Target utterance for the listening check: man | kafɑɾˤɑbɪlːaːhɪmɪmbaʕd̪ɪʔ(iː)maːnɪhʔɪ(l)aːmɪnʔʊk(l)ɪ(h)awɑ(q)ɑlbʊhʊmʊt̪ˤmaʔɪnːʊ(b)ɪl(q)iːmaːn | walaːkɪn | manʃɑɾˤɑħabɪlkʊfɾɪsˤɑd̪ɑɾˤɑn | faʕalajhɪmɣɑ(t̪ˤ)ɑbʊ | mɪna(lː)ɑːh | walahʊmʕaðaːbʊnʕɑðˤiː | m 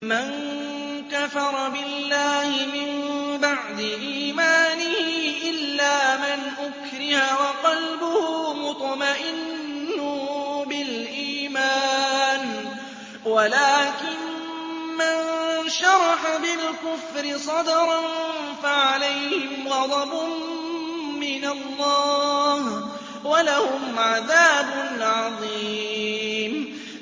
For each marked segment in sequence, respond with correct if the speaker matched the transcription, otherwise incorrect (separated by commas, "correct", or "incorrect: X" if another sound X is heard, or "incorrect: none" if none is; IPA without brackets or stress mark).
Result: correct, incorrect: lː, incorrect: ɾ, correct, correct, correct, incorrect: ʔ, incorrect: d̪ˤ, correct